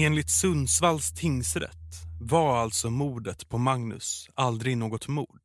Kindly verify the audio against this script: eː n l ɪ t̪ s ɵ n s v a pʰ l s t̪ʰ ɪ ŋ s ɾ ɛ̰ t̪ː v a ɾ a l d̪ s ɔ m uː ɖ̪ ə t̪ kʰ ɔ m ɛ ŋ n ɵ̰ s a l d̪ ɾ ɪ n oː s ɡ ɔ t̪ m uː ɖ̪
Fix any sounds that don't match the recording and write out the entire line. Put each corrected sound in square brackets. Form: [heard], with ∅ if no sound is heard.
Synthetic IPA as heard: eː n l ɪ t̪ s ɵ n s v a [∅] l s t̪ʰ ɪ ŋ s ɾ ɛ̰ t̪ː v a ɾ a l [t̪] s ɔ m uː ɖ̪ ə t̪ [pʰ] ɔ m [a] ŋ n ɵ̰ s a l d̪ ɾ ɪ n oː [∅] ɡ ɔ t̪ m uː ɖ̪